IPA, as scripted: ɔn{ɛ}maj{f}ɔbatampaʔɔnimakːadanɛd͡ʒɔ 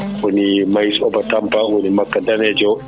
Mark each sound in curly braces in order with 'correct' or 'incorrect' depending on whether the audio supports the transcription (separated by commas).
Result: incorrect, incorrect